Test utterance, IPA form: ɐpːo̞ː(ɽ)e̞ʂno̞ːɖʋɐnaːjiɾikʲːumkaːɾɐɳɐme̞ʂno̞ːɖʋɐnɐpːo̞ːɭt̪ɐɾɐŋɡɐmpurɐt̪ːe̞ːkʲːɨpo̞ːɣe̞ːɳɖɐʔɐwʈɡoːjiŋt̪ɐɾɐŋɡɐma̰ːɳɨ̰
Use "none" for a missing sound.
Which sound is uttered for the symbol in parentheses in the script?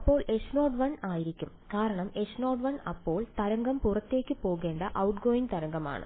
ɭ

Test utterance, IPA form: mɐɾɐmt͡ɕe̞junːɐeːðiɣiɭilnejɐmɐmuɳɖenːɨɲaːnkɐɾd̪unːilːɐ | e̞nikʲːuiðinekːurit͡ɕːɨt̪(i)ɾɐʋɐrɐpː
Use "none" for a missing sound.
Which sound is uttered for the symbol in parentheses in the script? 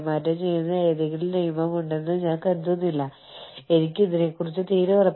iː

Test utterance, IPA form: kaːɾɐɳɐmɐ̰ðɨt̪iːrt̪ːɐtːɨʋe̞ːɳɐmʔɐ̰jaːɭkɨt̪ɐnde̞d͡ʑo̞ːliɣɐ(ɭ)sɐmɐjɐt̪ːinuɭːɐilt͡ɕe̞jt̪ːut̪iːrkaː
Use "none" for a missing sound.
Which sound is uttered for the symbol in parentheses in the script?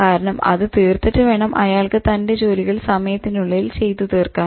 ɭ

